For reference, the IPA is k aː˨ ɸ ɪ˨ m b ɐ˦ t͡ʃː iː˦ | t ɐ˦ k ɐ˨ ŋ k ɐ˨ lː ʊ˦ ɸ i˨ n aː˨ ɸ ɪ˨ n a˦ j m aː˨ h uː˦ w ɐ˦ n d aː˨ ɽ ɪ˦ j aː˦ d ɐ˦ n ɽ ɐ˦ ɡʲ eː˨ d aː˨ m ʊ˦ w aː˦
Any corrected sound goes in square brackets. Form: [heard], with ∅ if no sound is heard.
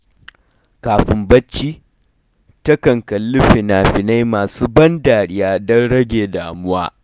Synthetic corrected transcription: k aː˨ ɸ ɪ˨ m b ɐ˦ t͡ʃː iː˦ | t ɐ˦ k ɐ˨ ŋ k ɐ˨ lː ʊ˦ ɸ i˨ n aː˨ ɸ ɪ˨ n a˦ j m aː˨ [s] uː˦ [b] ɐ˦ n d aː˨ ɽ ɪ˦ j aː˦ d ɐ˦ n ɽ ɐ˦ ɡʲ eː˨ d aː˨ m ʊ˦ w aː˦